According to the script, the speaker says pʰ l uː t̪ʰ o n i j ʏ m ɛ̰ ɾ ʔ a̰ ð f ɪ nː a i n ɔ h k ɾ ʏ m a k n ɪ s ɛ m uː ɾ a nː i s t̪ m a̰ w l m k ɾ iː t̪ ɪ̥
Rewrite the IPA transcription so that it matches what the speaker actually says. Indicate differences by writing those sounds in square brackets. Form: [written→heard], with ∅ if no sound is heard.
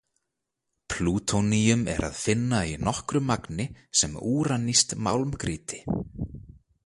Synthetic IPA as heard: pʰ l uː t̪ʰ o n i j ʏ m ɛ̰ ɾ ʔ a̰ ð f ɪ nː a i n ɔ h k ɾ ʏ m a k n ɪ s ɛ m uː ɾ a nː i s t̪ m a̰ w l m k ɾ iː t̪ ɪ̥